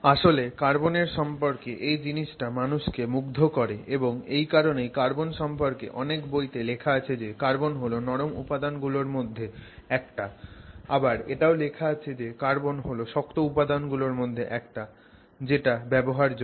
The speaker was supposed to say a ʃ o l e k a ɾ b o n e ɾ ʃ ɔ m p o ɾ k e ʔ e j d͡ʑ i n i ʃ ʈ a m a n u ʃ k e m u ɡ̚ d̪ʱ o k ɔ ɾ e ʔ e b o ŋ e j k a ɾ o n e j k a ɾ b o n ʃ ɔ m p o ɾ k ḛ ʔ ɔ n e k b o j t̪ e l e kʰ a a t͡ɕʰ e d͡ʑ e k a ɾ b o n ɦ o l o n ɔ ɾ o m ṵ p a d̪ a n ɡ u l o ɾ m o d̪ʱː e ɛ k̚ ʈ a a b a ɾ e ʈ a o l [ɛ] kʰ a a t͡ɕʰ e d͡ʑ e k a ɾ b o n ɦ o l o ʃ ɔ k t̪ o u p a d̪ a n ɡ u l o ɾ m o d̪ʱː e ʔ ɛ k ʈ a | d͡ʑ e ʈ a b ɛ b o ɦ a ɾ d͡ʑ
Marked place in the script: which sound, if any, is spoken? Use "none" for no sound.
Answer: e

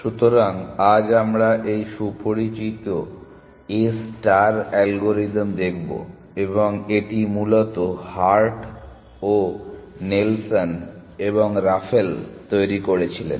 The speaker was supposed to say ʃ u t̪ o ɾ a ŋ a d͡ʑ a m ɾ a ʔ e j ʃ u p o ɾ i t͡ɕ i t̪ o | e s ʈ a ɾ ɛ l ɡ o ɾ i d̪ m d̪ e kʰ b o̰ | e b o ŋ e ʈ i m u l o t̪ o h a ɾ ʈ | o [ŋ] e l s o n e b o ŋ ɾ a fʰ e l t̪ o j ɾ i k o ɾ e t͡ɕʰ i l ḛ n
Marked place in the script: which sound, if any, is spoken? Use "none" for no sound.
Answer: n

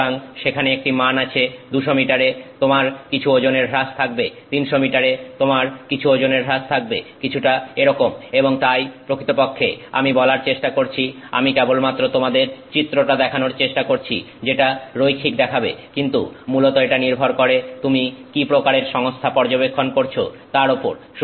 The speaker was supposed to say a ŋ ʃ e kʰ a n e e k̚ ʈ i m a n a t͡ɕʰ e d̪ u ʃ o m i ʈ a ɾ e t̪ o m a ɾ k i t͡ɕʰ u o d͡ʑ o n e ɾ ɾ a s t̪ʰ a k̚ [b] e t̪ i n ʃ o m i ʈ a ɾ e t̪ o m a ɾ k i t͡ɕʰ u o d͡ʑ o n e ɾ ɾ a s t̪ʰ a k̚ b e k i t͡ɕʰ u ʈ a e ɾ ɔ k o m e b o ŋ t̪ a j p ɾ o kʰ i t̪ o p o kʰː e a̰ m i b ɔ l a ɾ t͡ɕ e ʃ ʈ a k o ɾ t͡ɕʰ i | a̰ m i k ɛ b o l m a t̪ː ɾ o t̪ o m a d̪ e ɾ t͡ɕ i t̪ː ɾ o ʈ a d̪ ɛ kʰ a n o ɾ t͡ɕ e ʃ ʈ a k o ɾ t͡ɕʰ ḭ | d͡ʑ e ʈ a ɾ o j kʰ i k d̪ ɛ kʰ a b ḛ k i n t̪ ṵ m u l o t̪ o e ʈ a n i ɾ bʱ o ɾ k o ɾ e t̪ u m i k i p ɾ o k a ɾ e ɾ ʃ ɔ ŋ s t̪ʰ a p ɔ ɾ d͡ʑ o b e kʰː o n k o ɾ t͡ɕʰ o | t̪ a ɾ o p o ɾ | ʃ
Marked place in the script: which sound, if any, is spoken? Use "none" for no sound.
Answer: b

